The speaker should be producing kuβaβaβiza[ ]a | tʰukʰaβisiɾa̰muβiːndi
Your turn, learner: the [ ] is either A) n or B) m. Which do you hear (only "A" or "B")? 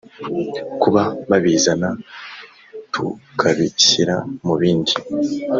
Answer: A